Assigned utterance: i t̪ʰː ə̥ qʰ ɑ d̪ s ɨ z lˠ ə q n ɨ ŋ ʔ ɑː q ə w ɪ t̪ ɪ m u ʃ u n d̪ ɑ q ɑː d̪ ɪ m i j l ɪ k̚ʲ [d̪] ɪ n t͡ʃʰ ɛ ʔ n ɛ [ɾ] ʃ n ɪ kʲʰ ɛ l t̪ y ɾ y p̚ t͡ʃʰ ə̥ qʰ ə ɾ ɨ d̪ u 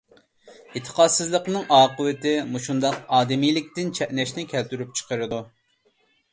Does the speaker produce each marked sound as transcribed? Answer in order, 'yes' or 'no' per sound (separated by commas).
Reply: no, no